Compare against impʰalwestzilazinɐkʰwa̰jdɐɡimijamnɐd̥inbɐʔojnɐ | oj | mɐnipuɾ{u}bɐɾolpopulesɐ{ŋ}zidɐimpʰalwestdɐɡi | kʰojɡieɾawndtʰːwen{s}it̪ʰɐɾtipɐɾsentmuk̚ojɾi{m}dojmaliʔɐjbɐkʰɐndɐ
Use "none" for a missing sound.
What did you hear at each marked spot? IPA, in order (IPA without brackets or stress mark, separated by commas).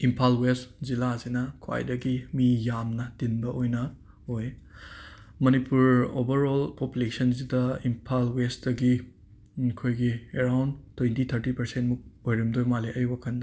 o, n, t, m